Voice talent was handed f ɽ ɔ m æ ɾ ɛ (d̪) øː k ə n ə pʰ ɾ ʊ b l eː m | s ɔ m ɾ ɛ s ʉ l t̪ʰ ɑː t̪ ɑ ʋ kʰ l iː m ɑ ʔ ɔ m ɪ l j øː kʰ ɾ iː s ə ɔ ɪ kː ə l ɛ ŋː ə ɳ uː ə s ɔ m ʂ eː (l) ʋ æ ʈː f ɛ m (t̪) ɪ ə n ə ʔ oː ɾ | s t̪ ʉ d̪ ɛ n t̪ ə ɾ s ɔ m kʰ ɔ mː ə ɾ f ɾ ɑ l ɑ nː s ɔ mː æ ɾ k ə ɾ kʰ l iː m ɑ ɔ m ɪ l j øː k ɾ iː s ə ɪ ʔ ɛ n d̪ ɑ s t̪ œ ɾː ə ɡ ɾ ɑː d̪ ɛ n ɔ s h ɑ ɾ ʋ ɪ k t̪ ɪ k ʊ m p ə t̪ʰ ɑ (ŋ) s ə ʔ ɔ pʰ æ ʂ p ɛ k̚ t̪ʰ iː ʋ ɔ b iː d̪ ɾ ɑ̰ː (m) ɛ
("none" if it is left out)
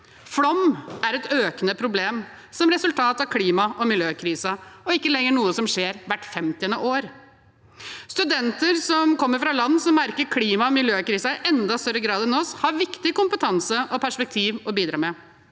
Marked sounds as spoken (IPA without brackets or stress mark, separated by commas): t̪, ɾ, t̪, n, m